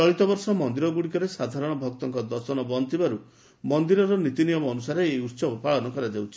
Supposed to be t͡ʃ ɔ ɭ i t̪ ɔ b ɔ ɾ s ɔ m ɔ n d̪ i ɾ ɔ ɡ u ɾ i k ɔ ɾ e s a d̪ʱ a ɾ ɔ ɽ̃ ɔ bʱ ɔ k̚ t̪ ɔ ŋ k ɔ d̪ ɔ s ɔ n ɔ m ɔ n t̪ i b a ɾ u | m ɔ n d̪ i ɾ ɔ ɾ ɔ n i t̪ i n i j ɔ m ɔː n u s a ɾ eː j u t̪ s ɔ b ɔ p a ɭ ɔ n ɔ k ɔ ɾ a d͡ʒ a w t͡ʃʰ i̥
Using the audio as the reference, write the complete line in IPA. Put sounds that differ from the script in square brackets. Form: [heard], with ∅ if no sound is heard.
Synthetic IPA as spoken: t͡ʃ ɔ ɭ i t̪ ɔ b ɔ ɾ s ɔ m ɔ n d̪ i ɾ ɔ ɡ u [ɽ] i k ɔ ɾ e s a d̪ʱ a ɾ ɔ ɽ̃ ɔ bʱ ɔ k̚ t̪ ɔ ŋ k ɔ d̪ ɔ s ɔ n ɔ [b] ɔ n t̪ i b a ɾ u | m ɔ n d̪ i ɾ ɔ ɾ ɔ n i t̪ i n i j ɔ m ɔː n u s a ɾ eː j u t̪ s ɔ b ɔ p a ɭ ɔ n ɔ k ɔ ɾ a d͡ʒ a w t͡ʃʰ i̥